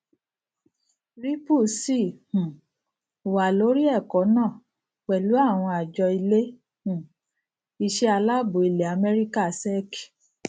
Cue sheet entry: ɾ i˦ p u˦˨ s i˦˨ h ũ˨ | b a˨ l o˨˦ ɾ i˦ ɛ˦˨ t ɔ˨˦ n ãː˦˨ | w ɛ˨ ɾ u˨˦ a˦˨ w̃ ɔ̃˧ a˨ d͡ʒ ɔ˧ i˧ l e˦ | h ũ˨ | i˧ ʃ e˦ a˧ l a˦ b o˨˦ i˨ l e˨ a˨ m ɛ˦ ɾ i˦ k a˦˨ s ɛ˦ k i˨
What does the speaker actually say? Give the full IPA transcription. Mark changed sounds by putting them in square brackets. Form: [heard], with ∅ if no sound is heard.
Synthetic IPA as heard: ɾ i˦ p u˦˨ s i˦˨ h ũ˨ | [w] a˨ l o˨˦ ɾ i˦ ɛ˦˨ [k] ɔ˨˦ n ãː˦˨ | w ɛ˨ [l] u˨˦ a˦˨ w̃ ɔ̃˧ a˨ d͡ʒ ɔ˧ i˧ l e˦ | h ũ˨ | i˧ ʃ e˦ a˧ l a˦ b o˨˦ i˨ l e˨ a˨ m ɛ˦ ɾ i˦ k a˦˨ s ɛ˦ k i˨